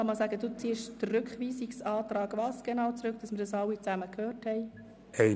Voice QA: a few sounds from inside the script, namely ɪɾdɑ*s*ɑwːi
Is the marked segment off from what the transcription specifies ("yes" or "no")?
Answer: no